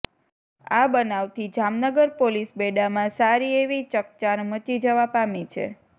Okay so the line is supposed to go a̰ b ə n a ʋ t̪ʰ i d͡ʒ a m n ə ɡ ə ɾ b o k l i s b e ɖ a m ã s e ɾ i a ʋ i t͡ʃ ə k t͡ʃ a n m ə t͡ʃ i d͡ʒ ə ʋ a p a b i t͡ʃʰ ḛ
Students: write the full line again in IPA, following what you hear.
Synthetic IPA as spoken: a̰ b ə n a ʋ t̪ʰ i d͡ʒ a m n ə ɡ ə ɾ p o l i s b e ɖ a m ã s a ɾ i e ʋ i t͡ʃ ə k t͡ʃ a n m ə t͡ʃ i d͡ʒ ə ʋ a p a m i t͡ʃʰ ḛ